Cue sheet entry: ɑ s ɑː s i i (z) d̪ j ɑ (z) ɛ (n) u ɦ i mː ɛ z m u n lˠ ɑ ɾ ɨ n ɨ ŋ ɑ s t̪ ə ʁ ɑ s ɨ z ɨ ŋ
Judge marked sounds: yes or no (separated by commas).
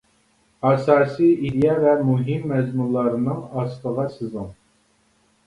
no, no, no